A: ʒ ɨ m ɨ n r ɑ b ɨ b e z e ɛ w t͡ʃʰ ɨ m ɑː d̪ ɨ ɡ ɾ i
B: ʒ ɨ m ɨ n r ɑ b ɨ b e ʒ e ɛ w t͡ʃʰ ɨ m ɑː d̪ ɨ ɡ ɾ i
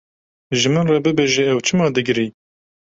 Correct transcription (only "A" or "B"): B